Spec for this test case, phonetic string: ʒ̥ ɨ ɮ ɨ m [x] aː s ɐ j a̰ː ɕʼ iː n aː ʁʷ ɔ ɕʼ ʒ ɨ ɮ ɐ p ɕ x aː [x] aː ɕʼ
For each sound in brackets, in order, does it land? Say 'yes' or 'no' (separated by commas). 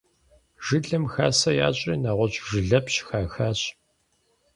yes, yes